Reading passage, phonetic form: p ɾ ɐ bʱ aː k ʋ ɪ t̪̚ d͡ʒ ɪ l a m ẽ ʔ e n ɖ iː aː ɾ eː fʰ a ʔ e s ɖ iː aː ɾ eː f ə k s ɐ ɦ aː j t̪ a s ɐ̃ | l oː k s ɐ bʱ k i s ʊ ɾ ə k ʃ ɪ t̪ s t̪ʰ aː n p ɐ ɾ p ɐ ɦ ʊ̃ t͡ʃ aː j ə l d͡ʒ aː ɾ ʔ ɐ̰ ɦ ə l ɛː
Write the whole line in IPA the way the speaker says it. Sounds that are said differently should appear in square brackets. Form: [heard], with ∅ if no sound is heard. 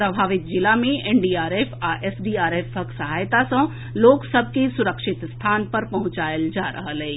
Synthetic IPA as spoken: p ɾ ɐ bʱ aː [∅] ʋ ɪ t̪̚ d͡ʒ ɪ l a m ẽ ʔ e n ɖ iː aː ɾ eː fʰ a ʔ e s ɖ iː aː ɾ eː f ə k s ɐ ɦ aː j t̪ a s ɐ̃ | l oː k s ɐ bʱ k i s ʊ ɾ ə k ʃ ɪ t̪ s t̪ʰ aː n p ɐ ɾ p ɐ ɦ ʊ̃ t͡ʃ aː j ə l d͡ʒ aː ɾ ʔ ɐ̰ ɦ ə l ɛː

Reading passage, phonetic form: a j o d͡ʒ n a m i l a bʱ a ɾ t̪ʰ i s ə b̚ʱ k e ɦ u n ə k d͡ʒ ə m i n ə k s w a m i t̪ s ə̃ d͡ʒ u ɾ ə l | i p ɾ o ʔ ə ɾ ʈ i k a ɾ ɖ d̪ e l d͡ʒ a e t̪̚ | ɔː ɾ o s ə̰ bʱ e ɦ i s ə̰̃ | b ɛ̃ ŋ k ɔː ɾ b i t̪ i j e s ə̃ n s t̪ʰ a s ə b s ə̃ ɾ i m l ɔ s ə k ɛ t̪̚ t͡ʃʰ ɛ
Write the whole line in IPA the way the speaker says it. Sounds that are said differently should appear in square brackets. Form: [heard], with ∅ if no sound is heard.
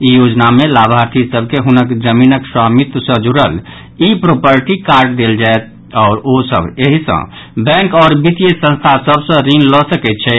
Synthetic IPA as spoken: [i] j o d͡ʒ n a m [e] l a bʱ a ɾ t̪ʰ i s ə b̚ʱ k e ɦ u n ə k d͡ʒ ə m i n ə k s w a m i t̪ s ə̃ d͡ʒ u ɾ ə l | i p ɾ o [p] ə ɾ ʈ i k a ɾ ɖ d̪ e l d͡ʒ a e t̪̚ | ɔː ɾ o s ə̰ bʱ e ɦ i s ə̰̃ | b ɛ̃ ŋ k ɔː ɾ b i t̪ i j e s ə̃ n s t̪ʰ a s ə b s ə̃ ɾ i [n] l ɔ s ə k ɛ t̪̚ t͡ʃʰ ɛ

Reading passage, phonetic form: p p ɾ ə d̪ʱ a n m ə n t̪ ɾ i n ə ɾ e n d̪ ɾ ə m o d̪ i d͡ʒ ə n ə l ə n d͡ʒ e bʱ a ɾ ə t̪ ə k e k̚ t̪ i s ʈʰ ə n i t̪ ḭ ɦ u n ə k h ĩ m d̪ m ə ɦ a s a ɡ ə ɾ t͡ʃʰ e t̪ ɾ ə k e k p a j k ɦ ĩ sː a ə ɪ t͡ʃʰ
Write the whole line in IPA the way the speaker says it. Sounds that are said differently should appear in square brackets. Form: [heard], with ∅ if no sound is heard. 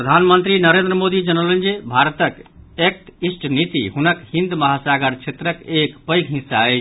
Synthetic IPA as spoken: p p ɾ ə d̪ʱ a n m ə n t̪ ɾ i n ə ɾ e n d̪ ɾ ə m o d̪ i d͡ʒ ə n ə l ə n d͡ʒ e bʱ a ɾ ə t̪ ə k e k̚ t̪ i s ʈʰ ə n i t̪ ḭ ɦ u n ə k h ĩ [n] d̪ m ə ɦ a s a ɡ ə ɾ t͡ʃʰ e t̪ ɾ ə k e k p [ə] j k ɦ ĩ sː a ə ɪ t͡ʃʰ

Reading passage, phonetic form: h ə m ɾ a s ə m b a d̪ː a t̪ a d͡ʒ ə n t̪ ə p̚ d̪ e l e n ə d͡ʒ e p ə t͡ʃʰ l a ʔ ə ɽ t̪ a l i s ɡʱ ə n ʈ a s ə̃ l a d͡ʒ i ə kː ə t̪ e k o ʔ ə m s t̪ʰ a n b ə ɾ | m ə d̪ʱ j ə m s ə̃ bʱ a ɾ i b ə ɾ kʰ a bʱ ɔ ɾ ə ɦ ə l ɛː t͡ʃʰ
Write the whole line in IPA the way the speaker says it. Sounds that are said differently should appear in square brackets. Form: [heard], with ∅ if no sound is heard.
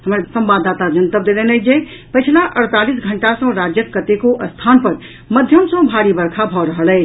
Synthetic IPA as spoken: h ə m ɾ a s ə m b a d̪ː a t̪ a d͡ʒ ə n t̪ ə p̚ d̪ e l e n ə d͡ʒ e p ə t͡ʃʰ l a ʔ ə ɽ t̪ a l i s ɡʱ ə [ɳ] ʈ a s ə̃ [ɾ] a d͡ʒ [j] ə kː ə t̪ e k o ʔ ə [∅] s t̪ʰ a n [p] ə ɾ | m ə d̪ʱ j ə m s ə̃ bʱ a ɾ i b ə ɾ kʰ a bʱ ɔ ɾ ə ɦ ə l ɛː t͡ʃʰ

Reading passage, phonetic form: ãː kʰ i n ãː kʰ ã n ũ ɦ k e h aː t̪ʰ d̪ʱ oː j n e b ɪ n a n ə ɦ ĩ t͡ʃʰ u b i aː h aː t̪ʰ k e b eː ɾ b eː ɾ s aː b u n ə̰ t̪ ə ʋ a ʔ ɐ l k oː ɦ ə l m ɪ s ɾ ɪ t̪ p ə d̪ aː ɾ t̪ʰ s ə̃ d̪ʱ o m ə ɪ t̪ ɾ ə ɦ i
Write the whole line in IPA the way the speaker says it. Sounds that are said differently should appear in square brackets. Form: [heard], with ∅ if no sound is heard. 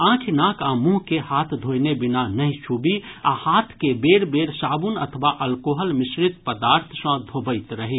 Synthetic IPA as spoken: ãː kʰ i n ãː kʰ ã [m] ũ ɦ k e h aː t̪ʰ d̪ʱ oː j n e b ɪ n a n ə ɦ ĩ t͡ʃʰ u b i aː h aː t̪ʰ k e b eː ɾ b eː ɾ s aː b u n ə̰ [t̪ʰ] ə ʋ a ʔ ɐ l k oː ɦ ə l m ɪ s ɾ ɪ t̪ p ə d̪ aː ɾ t̪ʰ s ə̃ d̪ʱ o [b] ə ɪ t̪ ɾ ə ɦ i

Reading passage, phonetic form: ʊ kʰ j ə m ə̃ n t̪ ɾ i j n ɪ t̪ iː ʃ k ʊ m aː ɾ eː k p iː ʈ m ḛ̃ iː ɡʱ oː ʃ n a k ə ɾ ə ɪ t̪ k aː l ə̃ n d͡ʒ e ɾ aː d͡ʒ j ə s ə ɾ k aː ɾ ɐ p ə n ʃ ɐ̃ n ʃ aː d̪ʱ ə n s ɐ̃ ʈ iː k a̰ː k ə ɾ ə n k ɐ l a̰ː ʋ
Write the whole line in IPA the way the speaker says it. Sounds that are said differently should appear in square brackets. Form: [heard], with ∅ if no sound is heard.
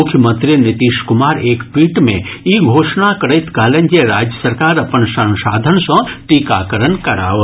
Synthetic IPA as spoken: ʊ kʰ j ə m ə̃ n t̪ ɾ i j n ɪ t̪ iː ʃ k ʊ m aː ɾ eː k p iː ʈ m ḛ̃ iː ɡʱ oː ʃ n a k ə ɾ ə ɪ t̪ k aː l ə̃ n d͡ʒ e ɾ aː d͡ʒ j ə s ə ɾ k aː ɾ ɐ p ə n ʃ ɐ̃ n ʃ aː d̪ʱ ə n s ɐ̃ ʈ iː k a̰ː k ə ɾ ə n k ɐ [ɾ] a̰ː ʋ

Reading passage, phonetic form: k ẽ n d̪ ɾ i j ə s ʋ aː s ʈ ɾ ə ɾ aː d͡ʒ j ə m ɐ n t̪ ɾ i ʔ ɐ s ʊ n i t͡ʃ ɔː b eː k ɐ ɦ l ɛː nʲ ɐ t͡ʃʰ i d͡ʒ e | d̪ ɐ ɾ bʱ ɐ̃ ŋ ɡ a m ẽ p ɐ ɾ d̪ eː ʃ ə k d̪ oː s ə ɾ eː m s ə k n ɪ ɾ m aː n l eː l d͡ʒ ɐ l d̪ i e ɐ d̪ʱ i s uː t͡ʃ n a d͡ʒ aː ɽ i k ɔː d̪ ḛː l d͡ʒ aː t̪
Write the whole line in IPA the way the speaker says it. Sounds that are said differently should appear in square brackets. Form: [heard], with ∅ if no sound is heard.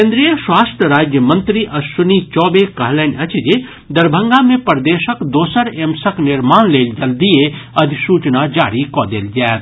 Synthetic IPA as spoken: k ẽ n d̪ ɾ i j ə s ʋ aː s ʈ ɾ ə ɾ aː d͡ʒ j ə m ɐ n t̪ ɾ i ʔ ɐ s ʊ n i t͡ʃ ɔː b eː k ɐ ɦ l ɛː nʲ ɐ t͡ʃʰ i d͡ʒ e | d̪ ɐ ɾ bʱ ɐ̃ ŋ ɡ a m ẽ p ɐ ɾ d̪ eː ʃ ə k d̪ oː s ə ɾ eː m s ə k n ɪ ɾ m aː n l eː l d͡ʒ ɐ l d̪ i e ɐ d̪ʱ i s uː t͡ʃ n a d͡ʒ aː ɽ i k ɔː d̪ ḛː l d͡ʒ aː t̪

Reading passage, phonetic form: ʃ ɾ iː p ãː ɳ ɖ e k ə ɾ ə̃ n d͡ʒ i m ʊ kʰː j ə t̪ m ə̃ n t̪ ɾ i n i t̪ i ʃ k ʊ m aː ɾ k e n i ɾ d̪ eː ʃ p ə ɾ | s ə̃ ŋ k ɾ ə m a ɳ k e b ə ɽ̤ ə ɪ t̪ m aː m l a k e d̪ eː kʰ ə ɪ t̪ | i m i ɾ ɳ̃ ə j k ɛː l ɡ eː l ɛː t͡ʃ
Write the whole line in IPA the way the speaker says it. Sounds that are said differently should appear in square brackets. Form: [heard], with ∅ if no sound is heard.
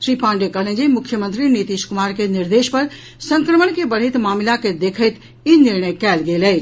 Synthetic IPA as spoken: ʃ ɾ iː p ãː ɳ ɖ e k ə [l] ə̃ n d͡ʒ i m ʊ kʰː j ə [∅] m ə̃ n t̪ ɾ i n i t̪ i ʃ k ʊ m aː ɾ k e n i ɾ d̪ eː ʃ p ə ɾ | s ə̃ ŋ k ɾ ə m [ə] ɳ k e b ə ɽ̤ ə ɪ t̪ m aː m l a k e d̪ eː kʰ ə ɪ t̪ | i [n] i ɾ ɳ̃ ə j k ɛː l ɡ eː l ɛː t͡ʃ

